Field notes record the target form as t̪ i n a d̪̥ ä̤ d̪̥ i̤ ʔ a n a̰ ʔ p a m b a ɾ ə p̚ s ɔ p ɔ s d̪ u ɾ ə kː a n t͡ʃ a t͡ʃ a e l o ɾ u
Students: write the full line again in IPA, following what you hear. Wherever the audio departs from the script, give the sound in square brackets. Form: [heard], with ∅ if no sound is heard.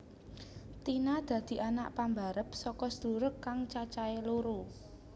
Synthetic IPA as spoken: t̪ i n a d̪̥ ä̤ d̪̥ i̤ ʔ a n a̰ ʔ p a m b a ɾ ə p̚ s ɔ [k] ɔ s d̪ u ɾ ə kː a [ŋ] t͡ʃ a t͡ʃ a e l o ɾ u